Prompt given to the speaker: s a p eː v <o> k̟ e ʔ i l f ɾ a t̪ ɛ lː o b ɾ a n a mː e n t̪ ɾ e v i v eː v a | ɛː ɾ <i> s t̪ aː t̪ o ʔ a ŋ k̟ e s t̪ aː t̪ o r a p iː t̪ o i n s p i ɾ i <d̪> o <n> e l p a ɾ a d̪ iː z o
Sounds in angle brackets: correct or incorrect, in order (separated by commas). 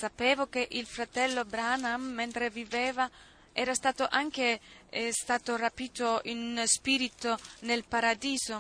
correct, incorrect, incorrect, correct